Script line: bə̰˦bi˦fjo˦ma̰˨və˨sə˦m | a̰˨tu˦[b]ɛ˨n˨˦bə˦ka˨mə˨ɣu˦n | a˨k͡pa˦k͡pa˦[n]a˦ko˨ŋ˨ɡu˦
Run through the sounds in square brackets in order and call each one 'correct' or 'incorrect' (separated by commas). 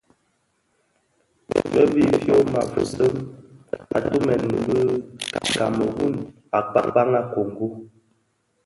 incorrect, incorrect